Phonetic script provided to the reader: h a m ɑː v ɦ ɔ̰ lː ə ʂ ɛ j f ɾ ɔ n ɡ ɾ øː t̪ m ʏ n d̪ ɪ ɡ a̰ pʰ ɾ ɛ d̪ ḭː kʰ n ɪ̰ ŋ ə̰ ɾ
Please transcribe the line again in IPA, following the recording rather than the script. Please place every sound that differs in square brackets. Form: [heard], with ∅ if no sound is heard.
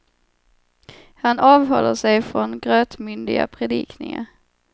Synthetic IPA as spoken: h a [n] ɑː v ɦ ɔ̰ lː ə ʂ ɛ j f ɾ ɔ n ɡ ɾ øː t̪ m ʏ n d̪ ɪ ɡ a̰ pʰ ɾ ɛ d̪ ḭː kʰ n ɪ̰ ŋ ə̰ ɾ